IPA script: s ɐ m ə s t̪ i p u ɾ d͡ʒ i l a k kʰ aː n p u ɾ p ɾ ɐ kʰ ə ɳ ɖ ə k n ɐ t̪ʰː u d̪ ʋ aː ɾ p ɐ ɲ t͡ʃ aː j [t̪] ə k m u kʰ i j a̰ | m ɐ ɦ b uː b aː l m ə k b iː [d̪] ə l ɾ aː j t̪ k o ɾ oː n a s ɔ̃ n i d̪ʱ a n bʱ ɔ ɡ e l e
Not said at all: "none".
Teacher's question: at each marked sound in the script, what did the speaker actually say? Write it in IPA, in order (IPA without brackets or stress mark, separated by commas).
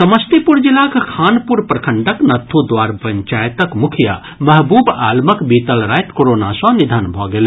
t̪, t̪